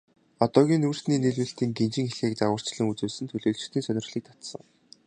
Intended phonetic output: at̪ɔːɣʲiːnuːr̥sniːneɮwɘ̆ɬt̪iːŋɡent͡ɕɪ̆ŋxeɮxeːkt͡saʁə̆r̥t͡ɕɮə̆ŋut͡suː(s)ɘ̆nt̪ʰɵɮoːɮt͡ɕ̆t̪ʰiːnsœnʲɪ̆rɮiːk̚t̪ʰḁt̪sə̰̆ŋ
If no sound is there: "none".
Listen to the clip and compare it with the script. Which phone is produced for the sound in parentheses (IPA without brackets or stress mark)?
s